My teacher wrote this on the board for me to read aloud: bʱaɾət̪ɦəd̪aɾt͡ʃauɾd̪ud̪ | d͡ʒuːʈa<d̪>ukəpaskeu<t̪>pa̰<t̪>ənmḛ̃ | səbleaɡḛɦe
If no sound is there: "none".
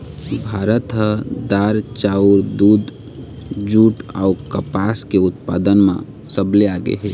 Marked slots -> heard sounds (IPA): none, t̪, d̪

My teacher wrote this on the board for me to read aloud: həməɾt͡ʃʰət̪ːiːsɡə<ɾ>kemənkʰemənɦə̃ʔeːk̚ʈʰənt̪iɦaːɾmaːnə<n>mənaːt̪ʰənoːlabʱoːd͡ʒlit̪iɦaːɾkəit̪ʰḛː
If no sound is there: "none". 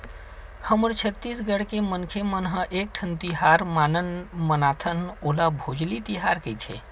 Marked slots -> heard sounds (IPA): ɽ, n

